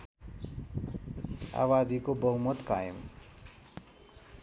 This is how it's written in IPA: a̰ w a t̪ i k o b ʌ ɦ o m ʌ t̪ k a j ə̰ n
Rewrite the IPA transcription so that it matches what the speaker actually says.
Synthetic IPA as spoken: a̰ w a d̪ i k o b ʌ ɦ u m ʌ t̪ k a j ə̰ m